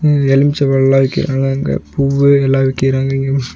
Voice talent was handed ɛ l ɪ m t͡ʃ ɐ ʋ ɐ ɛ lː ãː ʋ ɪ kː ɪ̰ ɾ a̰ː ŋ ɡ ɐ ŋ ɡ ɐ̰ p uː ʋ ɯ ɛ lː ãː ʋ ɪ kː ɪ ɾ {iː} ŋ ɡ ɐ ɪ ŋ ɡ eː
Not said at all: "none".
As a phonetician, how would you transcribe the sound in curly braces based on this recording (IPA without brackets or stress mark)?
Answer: aː